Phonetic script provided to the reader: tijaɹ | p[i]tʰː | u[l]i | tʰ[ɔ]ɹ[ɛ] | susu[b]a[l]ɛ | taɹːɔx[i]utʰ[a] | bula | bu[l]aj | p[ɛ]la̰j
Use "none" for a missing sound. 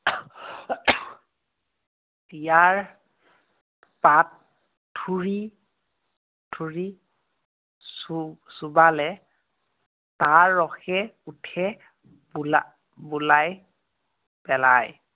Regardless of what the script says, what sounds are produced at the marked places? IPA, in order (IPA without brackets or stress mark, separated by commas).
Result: a, ɹ, u, i, b, l, ɛ, ɛ, l, ɛ